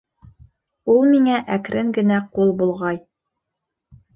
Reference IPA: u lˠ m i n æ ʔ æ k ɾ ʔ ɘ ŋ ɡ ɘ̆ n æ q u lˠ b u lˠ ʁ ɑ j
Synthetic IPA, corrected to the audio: u lˠ m i ŋ æ ʔ æ k ɾ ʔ ɘ ŋ ɡ ɘ̆ n æ q u lˠ b u lˠ ʁ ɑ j